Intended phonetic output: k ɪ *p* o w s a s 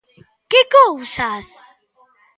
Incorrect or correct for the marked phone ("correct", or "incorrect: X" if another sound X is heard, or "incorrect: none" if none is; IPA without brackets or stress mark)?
incorrect: k